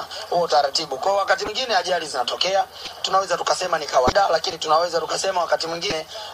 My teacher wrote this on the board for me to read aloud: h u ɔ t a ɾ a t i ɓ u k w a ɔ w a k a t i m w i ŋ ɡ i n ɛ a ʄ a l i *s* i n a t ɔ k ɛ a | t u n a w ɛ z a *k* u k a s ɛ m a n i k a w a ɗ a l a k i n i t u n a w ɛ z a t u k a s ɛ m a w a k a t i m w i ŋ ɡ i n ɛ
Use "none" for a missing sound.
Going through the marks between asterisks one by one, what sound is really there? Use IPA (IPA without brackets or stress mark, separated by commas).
z, t